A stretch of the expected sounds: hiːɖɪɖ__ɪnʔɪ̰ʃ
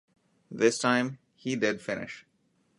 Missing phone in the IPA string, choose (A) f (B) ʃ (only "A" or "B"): A